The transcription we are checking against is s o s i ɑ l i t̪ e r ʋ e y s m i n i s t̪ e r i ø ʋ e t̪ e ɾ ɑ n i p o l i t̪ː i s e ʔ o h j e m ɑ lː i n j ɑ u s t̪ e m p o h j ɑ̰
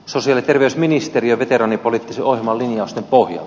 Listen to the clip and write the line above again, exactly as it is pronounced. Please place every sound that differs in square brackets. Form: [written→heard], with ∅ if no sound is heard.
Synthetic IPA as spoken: s o s i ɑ l i t̪ e r ʋ e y s m i n i s t̪ e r i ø ʋ e t̪ e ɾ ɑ n i p o l i t̪ː i s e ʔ o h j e m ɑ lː i n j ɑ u s t̪ e m p o h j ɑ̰

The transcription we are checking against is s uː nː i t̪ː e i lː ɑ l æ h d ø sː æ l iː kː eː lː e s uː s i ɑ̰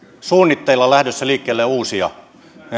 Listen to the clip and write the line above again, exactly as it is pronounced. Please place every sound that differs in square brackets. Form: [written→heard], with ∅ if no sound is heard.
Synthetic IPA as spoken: s uː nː i t̪ː e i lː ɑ l æ h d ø sː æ l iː kː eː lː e [s→∅] uː s i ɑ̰

